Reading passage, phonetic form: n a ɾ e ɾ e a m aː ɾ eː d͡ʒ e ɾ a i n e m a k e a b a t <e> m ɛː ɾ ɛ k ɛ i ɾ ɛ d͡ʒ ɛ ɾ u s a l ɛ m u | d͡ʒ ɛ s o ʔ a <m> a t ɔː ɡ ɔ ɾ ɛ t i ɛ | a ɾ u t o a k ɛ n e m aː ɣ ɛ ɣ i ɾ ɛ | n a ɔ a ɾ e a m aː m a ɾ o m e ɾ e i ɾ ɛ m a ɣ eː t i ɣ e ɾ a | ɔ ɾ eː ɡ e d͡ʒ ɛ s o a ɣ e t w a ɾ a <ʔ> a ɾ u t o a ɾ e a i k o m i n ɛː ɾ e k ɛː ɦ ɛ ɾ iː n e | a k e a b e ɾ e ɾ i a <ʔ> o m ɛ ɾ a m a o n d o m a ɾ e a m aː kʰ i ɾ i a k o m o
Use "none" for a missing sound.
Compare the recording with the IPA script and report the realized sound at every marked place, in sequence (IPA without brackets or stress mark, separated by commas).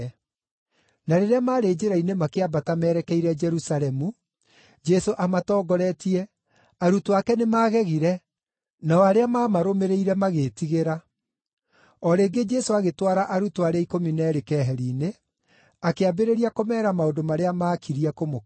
a, m, ʔ, k